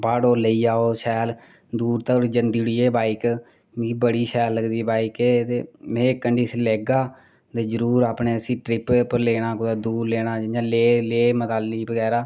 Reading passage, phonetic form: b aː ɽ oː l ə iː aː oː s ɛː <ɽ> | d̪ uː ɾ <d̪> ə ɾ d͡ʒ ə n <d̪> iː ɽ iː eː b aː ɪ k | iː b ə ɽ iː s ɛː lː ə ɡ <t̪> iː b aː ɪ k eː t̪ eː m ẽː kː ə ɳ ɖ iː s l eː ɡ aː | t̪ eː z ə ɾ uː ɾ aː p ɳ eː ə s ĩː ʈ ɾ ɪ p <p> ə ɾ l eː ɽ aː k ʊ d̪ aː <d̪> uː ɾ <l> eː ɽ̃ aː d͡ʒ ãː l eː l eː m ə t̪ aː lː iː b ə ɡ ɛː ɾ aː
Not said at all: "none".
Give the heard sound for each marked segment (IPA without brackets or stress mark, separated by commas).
l, t̪, d̪, d̪, p, d̪, l